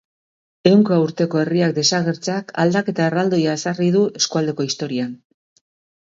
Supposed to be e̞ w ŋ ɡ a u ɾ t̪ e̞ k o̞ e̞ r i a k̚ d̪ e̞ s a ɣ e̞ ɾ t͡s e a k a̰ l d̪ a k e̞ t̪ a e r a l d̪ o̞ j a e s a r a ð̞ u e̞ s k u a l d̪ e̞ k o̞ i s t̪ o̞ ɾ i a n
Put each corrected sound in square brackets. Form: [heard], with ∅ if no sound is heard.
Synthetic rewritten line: e̞ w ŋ [k] a u ɾ t̪ e̞ k o̞ e̞ r i a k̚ d̪ e̞ s a ɣ e̞ ɾ t͡s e a k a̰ l d̪ a k e̞ t̪ a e r a l d̪ o̞ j a e s a r [i] ð̞ u e̞ s k u a l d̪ e̞ k o̞ i s t̪ o̞ ɾ i a n